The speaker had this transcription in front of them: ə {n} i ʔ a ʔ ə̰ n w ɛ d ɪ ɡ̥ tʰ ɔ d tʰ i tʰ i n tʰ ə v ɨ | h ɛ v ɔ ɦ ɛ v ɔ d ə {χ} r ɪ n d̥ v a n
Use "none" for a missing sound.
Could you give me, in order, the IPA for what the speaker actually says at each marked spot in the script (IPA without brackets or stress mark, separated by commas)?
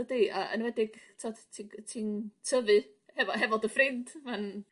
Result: d, f